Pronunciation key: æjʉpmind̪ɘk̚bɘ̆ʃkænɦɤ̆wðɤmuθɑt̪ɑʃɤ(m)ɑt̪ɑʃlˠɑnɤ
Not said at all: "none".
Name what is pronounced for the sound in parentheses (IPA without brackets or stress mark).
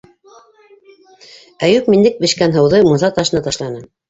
n